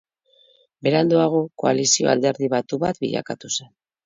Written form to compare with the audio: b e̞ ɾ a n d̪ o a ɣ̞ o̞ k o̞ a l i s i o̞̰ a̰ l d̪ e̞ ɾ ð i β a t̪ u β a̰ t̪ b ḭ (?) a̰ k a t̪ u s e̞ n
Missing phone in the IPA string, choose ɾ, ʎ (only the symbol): ʎ